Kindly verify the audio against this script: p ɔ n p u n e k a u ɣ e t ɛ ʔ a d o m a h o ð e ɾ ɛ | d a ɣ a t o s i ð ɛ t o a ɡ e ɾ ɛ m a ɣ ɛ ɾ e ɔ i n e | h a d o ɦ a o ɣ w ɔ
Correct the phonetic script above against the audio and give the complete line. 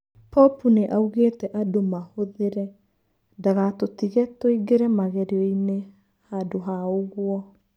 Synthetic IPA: p ɔ p u n e ʔ a u ɣ e t ɛ ʔ a d o m a h o ð e ɾ ɛ | d a ɣ a t o t i ɣ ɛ t o i ɡ e ɾ ɛ m a ɣ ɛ ɾ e ɔ i n e | h a d o ɦ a o ɣ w ɔ